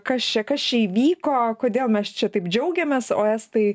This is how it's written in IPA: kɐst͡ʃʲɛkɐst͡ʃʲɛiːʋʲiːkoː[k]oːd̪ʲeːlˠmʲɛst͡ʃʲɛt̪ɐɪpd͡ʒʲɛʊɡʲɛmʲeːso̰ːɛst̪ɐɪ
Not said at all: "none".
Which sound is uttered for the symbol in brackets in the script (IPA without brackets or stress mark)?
k